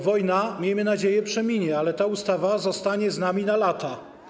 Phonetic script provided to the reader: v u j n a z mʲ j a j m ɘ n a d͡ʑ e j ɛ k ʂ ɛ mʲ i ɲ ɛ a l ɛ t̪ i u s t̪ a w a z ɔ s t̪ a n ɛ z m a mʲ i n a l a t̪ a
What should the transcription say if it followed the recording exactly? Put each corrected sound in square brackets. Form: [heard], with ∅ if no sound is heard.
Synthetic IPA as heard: v [ɔ] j n a [∅] mʲ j [e] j m ɘ n a d͡ʑ e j ɛ [p] ʂ ɛ mʲ i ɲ ɛ a l ɛ t̪ [a] u s t̪ a [v] a z ɔ s t̪ a [ɲ] ɛ z [n] a mʲ i n a l a t̪ a